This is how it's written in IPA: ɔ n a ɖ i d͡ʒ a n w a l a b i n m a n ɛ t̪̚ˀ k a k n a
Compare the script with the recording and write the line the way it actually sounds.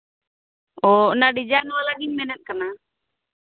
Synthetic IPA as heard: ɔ n a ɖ i d͡ʒ a n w a l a ɡ i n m ɛ n ɛ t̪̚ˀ k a n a